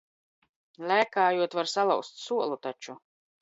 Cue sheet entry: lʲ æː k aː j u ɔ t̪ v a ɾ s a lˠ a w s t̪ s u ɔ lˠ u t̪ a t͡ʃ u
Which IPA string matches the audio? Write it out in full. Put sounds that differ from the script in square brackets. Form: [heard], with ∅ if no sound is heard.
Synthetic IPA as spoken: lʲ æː k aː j u ɔ t̪ v a ɾ s a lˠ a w s t̪ s u ɔ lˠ u t̪ a t͡ʃ u